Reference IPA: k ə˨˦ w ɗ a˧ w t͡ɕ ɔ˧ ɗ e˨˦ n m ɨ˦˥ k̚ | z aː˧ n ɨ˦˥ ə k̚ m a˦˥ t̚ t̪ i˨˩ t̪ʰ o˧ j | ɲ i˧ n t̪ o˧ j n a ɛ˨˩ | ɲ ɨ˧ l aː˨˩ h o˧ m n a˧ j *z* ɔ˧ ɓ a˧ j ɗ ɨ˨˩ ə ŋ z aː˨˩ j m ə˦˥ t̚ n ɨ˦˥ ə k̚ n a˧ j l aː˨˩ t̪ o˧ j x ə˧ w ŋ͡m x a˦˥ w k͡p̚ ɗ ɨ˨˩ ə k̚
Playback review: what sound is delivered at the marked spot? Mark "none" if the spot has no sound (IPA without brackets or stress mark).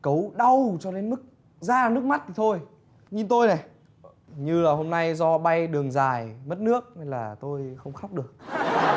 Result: z